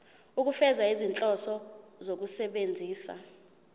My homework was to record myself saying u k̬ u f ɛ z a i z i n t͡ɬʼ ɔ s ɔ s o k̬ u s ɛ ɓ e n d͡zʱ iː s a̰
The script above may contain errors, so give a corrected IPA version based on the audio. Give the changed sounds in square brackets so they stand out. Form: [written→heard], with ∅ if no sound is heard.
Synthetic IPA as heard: u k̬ u f ɛ z a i z i n t͡ɬʼ ɔ s ɔ [s→z] o k̬ u s ɛ ɓ e n d͡zʱ iː s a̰